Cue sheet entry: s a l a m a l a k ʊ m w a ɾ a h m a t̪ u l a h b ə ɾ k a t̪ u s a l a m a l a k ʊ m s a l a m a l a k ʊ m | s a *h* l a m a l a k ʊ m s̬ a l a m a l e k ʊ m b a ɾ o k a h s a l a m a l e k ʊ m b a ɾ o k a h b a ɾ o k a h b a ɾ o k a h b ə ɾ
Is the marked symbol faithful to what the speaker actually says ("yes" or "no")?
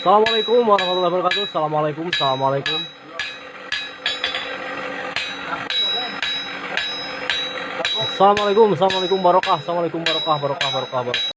no